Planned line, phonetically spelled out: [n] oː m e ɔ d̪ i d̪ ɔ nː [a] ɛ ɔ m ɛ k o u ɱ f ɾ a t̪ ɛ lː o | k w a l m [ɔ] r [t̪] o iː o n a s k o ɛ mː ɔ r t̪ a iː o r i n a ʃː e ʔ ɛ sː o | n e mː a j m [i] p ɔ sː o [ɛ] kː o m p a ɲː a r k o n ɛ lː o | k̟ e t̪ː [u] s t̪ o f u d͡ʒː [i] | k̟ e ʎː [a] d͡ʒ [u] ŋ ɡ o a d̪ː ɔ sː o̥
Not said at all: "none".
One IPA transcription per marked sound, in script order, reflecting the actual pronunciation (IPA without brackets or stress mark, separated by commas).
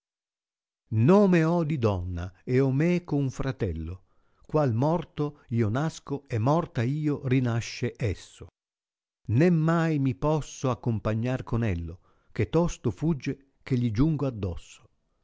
n, a, ɔ, t̪, i, a, ɔ, e, i, u